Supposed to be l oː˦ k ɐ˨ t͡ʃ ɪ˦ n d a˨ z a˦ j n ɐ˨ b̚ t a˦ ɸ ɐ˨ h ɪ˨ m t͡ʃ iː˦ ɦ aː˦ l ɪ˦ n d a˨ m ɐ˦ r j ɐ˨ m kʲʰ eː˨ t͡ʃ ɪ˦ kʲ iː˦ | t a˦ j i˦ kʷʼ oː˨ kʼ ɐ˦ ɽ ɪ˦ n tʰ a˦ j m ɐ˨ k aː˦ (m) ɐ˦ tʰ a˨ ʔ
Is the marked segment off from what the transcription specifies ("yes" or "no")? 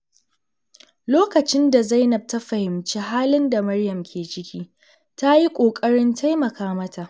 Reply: no